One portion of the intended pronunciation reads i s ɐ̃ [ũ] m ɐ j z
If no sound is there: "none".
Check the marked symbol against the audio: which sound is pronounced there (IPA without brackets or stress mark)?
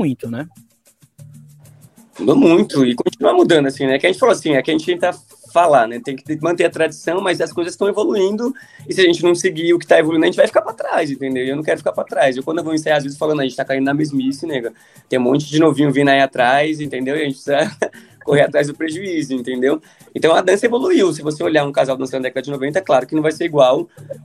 w̃